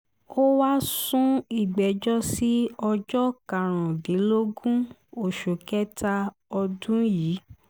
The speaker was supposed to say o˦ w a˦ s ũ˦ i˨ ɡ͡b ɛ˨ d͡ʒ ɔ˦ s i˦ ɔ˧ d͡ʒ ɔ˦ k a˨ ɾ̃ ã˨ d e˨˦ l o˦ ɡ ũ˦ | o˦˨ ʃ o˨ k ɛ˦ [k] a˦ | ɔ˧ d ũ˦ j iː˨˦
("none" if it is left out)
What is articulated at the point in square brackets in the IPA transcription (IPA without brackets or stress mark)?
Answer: t